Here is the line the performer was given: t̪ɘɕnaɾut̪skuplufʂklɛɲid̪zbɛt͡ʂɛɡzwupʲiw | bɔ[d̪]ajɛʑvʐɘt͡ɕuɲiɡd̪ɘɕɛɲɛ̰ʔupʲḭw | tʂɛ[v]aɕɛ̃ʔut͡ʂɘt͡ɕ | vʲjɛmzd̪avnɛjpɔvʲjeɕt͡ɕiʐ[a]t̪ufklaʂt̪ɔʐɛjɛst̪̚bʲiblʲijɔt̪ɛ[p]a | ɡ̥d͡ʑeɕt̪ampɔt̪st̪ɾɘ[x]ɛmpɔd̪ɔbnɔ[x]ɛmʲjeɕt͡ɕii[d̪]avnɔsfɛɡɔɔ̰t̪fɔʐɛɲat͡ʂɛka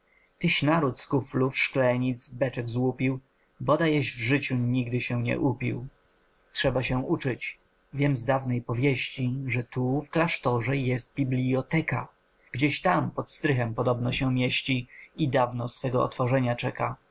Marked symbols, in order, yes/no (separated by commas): yes, no, no, no, yes, no, yes